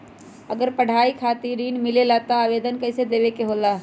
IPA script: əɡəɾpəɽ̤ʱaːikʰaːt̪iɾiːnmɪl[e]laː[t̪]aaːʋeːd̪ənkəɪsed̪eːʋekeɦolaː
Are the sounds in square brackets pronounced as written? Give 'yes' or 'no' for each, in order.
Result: yes, yes

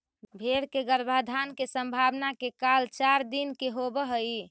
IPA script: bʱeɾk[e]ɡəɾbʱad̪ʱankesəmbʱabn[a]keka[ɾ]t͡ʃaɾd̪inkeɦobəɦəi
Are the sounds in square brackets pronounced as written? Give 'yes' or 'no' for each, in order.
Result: yes, yes, no

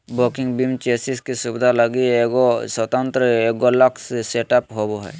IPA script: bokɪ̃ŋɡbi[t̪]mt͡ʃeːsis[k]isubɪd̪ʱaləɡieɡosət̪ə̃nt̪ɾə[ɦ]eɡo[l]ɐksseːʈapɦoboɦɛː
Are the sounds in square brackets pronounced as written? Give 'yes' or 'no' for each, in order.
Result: no, yes, no, yes

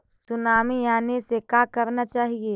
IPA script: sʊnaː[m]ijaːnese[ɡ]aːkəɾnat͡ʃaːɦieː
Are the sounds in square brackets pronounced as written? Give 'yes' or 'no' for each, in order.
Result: yes, no

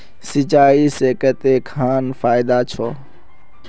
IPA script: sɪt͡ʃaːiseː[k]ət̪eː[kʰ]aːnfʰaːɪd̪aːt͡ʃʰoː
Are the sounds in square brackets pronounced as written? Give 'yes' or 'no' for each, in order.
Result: yes, yes

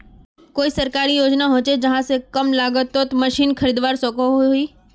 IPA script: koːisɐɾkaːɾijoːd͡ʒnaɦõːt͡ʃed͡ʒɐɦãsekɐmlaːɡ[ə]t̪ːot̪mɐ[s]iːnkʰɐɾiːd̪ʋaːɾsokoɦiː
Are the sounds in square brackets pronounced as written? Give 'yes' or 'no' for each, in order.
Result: yes, no

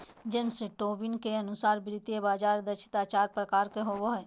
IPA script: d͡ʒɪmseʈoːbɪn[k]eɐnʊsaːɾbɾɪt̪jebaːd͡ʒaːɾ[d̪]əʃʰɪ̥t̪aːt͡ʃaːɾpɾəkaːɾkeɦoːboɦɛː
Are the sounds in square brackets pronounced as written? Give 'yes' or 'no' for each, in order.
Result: yes, yes

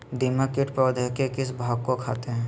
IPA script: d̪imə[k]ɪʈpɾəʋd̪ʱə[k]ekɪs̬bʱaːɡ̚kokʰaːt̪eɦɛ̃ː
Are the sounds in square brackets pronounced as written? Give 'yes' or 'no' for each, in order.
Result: yes, yes

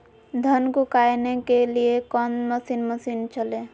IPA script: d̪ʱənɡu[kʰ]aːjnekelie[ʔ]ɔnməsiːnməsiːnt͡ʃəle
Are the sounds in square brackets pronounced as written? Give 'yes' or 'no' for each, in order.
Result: no, no

